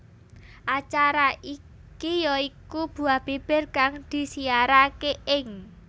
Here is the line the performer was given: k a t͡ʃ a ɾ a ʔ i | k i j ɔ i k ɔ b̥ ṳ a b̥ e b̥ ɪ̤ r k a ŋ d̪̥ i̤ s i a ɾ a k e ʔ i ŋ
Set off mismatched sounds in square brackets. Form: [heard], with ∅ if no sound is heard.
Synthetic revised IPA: [ʔ] a t͡ʃ a ɾ a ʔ i | k i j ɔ i k [u] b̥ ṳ a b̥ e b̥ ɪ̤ r k a ŋ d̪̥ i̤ s i a ɾ a k e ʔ [ɪ] ŋ

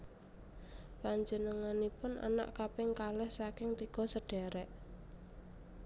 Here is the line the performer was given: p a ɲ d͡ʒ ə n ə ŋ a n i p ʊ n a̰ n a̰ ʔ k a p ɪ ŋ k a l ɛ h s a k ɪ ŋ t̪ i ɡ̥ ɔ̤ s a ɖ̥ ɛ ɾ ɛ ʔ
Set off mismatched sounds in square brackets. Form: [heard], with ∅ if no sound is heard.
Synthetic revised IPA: p a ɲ d͡ʒ ə n ə ŋ a n i p ʊ n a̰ n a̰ ʔ k a p ɪ ŋ k a l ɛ h s a k ɪ ŋ t̪ i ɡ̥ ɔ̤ s [ə] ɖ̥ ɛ ɾ ɛ ʔ

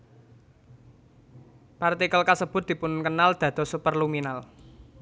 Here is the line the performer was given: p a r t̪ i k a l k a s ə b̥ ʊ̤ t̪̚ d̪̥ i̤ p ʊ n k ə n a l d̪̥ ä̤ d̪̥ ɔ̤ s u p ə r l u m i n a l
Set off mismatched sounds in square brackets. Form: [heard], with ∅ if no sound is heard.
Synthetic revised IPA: p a r t̪ i k [ə] l k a s ə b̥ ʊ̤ t̪̚ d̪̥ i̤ p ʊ n k ə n a l d̪̥ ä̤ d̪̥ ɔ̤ s u p ə r l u m i n a l

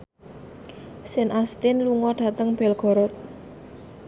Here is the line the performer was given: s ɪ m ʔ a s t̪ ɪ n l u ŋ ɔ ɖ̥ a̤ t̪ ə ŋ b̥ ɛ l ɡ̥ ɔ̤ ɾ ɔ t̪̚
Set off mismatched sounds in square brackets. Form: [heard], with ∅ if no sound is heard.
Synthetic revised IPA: s ɪ [n] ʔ a s t̪ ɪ n l u ŋ ɔ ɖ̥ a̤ t̪ ə ŋ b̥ ɛ l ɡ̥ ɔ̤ ɾ ɔ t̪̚

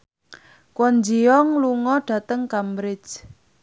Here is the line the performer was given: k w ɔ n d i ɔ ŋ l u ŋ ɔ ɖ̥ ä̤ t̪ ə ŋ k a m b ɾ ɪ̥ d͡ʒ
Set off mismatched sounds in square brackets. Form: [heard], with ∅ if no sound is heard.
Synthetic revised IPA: k w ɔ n [d͡ʒ] i ɔ ŋ l u ŋ ɔ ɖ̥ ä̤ t̪ ə ŋ k a m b ɾ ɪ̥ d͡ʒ

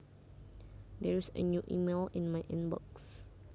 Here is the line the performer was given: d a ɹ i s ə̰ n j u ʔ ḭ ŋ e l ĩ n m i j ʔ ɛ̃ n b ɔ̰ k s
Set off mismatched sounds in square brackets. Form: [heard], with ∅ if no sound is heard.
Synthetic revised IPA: d [ɛ] ɹ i s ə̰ n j u ʔ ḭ [m] e l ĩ n m [a] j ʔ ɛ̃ n b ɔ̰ k s

